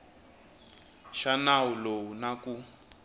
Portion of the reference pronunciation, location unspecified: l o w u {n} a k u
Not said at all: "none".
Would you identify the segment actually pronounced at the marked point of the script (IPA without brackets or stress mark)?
n